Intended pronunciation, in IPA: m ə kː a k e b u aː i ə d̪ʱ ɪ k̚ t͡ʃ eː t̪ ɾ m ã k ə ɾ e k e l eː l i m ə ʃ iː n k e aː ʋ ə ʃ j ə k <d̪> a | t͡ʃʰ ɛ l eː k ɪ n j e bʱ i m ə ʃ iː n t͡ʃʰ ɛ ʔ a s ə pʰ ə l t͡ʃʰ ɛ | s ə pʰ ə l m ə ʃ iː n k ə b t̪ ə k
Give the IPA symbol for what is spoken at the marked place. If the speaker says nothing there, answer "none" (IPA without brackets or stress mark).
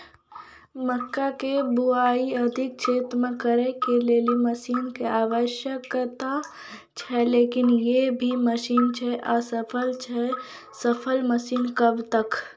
t̪